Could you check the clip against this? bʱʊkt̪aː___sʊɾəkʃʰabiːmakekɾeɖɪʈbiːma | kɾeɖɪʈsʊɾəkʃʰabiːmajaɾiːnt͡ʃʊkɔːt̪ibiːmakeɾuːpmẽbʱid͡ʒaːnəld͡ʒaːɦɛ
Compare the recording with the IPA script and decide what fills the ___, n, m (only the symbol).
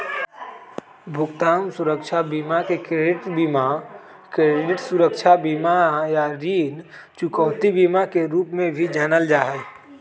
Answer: m